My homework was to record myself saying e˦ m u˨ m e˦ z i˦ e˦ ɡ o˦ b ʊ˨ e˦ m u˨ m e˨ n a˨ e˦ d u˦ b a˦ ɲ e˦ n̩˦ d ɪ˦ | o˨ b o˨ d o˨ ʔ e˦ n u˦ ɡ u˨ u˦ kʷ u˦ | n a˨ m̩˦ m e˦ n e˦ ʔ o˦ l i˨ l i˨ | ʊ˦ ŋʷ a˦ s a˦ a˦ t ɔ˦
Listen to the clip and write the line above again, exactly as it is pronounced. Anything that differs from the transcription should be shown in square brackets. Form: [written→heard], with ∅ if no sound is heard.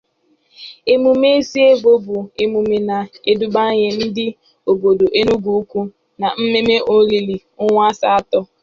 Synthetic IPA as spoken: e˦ m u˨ m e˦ [z→s] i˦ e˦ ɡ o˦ b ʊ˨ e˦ m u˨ m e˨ n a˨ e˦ d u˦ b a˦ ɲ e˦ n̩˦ d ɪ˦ | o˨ b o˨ d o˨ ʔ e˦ n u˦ ɡ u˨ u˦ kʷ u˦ | n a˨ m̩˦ m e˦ [n→m] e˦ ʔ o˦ l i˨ l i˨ | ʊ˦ ŋʷ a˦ s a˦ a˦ t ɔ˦